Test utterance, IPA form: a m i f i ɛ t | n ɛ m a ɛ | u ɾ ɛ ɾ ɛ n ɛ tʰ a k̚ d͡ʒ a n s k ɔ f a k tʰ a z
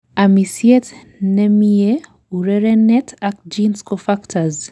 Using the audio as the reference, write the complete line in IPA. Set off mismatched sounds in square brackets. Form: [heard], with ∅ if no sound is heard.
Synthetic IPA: a m i [s] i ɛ t | n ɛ m [i] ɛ | u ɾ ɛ ɾ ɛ n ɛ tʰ a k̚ d͡ʒ [i] n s k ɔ f a k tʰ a z